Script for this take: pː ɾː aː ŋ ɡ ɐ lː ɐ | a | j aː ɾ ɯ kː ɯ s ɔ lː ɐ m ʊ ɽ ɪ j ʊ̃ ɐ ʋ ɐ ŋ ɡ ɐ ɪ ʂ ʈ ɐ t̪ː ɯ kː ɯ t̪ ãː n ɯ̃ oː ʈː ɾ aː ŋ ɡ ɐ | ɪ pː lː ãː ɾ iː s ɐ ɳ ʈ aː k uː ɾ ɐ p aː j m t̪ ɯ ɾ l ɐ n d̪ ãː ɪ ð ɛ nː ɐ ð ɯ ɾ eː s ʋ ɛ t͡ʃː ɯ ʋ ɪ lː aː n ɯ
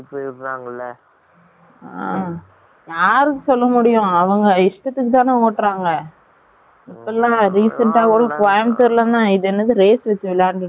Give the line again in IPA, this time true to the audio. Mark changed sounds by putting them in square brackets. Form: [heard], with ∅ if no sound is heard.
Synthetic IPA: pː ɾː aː ŋ ɡ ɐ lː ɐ | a | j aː ɾ ɯ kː ɯ s ɔ lː ɐ m ʊ ɽ ɪ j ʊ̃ ɐ ʋ ɐ ŋ ɡ ɐ ɪ ʂ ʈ ɐ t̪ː ɯ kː ɯ t̪ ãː n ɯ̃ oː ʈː ɾ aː ŋ ɡ ɐ | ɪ pː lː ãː ɾ iː s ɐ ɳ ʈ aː k uː [ɽ] ɐ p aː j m t̪ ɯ ɾ l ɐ n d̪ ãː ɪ ð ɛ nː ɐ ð ɯ ɾ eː s ʋ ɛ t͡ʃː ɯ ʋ ɪ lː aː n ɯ

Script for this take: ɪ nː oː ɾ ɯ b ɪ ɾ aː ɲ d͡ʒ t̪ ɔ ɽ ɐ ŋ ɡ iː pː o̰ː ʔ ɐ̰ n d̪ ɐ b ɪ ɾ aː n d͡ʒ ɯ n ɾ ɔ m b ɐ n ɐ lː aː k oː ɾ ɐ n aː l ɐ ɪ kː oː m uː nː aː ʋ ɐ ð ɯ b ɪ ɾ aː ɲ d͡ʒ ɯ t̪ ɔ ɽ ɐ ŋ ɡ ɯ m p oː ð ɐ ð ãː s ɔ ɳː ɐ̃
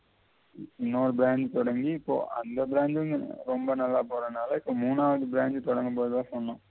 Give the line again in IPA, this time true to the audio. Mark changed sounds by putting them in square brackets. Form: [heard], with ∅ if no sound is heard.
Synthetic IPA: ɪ nː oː ɾ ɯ b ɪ ɾ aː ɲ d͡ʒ t̪ ɔ ɽ ɐ ŋ ɡ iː pː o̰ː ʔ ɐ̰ n d̪ ɐ b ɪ ɾ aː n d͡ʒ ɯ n ɾ ɔ m b ɐ n ɐ lː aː [p] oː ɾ ɐ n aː l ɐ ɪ [pː] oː m uː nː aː ʋ ɐ ð ɯ b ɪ ɾ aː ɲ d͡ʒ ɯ t̪ ɔ ɽ ɐ ŋ ɡ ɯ m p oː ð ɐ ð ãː s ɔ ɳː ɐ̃

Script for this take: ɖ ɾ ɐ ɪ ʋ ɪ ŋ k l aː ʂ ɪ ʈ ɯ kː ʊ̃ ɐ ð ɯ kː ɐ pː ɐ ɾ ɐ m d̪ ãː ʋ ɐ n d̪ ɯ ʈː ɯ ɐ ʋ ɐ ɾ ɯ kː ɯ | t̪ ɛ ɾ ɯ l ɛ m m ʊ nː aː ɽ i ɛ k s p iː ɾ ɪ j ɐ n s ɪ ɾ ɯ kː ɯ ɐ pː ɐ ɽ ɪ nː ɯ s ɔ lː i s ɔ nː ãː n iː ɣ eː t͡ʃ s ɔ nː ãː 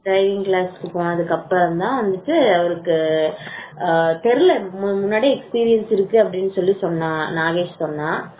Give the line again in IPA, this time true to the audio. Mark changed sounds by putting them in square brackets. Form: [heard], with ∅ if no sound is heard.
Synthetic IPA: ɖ ɾ ɐ ɪ ʋ ɪ ŋ k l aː [s] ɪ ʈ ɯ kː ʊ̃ ɐ ð ɯ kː ɐ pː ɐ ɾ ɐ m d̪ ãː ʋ ɐ n d̪ ɯ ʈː ɯ ɐ ʋ ɐ ɾ ɯ kː ɯ | t̪ ɛ ɾ ɯ l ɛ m m ʊ nː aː ɽ i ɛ k s p iː ɾ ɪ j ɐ n s ɪ ɾ ɯ kː ɯ ɐ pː ɐ ɽ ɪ nː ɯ s ɔ lː i s ɔ nː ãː n [aː] ɣ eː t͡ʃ s ɔ nː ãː

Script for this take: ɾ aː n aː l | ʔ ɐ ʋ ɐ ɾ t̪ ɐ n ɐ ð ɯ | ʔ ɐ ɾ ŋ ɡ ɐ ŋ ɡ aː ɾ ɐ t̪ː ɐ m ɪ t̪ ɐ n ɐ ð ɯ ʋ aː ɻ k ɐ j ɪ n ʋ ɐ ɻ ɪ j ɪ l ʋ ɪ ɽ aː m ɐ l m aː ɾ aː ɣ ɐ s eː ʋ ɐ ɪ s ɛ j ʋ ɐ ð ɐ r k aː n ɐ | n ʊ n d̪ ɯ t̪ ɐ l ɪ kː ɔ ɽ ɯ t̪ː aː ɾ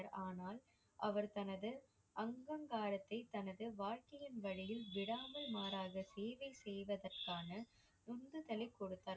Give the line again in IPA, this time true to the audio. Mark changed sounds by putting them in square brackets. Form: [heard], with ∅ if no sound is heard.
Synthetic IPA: ɾ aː n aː l | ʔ ɐ ʋ ɐ ɾ t̪ ɐ n ɐ ð ɯ | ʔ ɐ [∅] ŋ ɡ ɐ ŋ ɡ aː ɾ ɐ t̪ː ɐ [∅] ɪ t̪ ɐ n ɐ ð ɯ ʋ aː ɻ k ɐ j ɪ n ʋ ɐ ɻ ɪ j ɪ l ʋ ɪ ɽ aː m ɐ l m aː ɾ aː ɣ ɐ s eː ʋ ɐ ɪ s ɛ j ʋ ɐ ð ɐ r k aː n ɐ | n ʊ n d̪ ɯ t̪ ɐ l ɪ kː ɔ ɽ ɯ t̪ː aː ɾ

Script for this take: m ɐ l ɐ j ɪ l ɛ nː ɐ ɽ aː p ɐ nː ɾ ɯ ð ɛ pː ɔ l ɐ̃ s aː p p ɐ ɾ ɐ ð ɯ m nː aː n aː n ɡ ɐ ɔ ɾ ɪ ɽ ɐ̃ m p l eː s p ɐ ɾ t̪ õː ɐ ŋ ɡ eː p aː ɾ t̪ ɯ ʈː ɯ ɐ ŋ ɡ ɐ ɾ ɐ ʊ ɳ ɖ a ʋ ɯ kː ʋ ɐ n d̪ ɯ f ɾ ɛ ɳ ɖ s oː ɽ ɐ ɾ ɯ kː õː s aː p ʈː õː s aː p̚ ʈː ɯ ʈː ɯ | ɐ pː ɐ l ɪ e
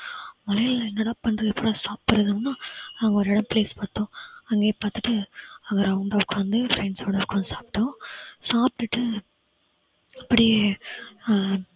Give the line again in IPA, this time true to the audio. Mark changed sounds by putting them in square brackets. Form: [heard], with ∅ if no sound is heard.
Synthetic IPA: m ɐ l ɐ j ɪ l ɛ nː ɐ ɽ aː p ɐ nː ɾ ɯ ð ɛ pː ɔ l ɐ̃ s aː p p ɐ ɾ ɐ ð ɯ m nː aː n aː [ŋ] ɡ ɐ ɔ ɾ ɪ ɽ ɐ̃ m p l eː s p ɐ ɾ t̪ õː ɐ ŋ ɡ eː p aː ɾ t̪ ɯ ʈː ɯ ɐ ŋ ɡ ɐ ɾ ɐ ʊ ɳ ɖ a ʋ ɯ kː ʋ ɐ n d̪ ɯ f ɾ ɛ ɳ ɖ s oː ɽ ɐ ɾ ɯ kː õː s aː p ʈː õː s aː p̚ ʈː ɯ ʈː ɯ | ɐ pː ɐ [ɽ] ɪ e

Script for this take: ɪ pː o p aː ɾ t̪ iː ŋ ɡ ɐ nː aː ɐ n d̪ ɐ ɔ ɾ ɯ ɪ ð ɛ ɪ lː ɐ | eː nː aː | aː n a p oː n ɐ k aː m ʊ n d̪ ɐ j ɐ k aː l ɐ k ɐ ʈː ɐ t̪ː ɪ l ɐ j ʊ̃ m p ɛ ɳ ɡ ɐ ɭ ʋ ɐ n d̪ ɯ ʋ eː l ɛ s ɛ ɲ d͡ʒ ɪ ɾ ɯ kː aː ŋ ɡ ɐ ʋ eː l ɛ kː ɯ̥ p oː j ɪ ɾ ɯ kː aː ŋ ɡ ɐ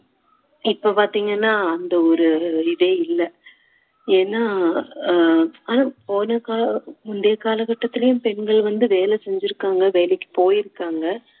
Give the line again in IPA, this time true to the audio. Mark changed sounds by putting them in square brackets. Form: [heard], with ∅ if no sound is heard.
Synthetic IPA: ɪ pː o p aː ɾ t̪ iː ŋ ɡ ɐ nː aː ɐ n d̪ ɐ ɔ ɾ ɯ ɪ ð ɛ ɪ lː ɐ | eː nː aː | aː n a p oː n ɐ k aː m ʊ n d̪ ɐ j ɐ k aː l ɐ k ɐ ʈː ɐ t̪ː ɪ l ɐ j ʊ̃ m p ɛ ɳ ɡ ɐ ɭ ʋ ɐ n d̪ ɯ ʋ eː l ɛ s ɛ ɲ d͡ʒ ɪ ɾ ɯ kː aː ŋ ɡ ɐ ʋ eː l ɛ kː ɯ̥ p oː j ɪ ɾ ɯ kː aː ŋ ɡ ɐ

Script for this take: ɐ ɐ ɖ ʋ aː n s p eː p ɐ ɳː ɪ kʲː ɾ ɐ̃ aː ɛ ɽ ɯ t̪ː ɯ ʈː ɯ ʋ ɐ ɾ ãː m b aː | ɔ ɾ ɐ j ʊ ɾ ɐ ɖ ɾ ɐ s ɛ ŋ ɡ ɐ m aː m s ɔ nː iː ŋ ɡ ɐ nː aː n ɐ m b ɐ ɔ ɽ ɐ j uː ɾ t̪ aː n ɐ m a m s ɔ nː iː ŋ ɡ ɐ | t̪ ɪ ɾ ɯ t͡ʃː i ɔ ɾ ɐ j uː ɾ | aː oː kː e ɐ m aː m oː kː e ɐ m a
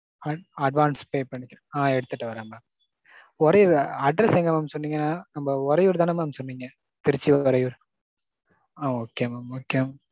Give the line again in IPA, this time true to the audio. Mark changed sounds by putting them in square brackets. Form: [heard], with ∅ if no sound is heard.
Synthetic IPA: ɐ ɐ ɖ ʋ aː n s p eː p ɐ ɳː ɪ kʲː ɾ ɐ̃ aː ɛ ɽ ɯ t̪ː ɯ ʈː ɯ ʋ ɐ ɾ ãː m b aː | ɔ ɾ ɐ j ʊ ɾ ɐ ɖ ɾ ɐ s ɛ ŋ ɡ ɐ m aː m s ɔ nː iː ŋ ɡ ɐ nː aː n ɐ m b ɐ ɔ [ɾ] ɐ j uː ɾ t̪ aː n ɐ m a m s ɔ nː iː ŋ ɡ ɐ | t̪ ɪ ɾ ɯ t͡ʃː i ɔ ɾ ɐ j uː ɾ | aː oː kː e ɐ m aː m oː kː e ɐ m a

